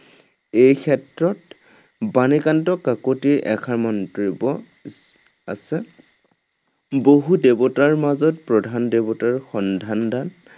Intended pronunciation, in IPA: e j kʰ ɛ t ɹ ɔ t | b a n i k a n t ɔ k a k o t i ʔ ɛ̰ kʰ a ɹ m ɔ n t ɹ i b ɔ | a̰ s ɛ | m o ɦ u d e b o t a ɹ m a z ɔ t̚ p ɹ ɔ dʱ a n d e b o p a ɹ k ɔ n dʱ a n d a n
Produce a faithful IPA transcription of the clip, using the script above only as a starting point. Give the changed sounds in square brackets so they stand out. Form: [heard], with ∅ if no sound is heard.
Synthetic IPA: e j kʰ ɛ t ɹ ɔ t | b a n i k a n t ɔ k a k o t i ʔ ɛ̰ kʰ a ɹ m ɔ n t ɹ i b ɔ | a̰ s ɛ | [b] o ɦ u d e b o t a ɹ m a z ɔ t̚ p ɹ ɔ dʱ a n d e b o [t] a ɹ [x] ɔ n dʱ a n d a n